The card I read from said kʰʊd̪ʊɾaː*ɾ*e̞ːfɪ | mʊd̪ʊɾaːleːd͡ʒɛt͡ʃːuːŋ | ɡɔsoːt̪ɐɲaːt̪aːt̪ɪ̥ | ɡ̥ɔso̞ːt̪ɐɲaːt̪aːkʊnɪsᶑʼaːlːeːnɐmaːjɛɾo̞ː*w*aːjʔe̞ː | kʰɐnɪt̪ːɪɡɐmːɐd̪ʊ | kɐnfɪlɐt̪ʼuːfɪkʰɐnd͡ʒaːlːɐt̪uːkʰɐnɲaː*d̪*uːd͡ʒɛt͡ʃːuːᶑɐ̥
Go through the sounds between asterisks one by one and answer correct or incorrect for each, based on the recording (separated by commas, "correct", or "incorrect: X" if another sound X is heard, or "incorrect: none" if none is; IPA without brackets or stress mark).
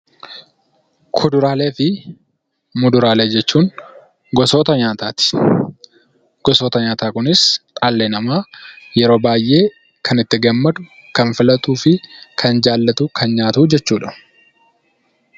incorrect: l, incorrect: b, incorrect: t̪